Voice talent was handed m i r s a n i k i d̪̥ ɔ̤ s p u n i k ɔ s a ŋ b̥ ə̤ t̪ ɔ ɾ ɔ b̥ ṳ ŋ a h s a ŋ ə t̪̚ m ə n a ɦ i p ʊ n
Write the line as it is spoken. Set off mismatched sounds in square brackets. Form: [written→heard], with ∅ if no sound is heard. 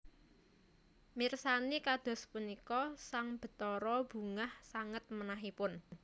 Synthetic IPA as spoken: m i r s a n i k [i→a] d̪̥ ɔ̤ s p u n i k ɔ s a ŋ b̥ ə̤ t̪ ɔ ɾ ɔ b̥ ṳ ŋ a h s a ŋ ə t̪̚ m ə n a ɦ i p ʊ n